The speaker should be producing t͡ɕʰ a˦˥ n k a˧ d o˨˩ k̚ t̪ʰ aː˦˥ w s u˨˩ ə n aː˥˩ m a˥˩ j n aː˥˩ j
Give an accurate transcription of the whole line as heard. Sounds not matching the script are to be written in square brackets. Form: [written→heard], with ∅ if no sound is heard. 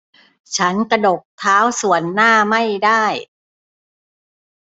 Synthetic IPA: t͡ɕʰ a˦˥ n k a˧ d o˨˩ k̚ t̪ʰ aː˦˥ w s u˨˩ ə [n→nː] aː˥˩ m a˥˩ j [n→d] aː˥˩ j